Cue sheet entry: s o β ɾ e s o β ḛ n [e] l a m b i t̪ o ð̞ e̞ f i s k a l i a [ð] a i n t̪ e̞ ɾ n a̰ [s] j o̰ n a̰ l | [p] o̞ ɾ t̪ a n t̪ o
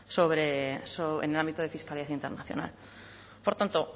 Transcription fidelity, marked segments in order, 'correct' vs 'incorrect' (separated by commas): correct, incorrect, incorrect, correct